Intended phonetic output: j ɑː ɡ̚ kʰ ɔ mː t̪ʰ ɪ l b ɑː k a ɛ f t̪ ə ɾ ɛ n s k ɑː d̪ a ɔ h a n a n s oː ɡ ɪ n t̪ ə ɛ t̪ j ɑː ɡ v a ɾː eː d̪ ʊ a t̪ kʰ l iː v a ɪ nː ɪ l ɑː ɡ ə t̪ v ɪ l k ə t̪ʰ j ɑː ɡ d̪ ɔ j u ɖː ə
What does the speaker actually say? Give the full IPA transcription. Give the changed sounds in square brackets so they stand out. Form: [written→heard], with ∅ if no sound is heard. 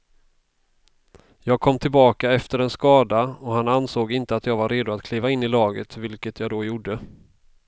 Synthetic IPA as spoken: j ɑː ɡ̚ kʰ ɔ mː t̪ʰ ɪ l b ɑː k a ɛ f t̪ ə ɾ ɛ n s k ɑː d̪ a ɔ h a n a n s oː ɡ ɪ n t̪ ə [ɛ→a] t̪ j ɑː ɡ v a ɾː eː d̪ ʊ a t̪ kʰ l iː v a ɪ nː ɪ l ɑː ɡ ə t̪ v ɪ l k ə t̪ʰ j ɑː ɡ d̪ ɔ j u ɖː ə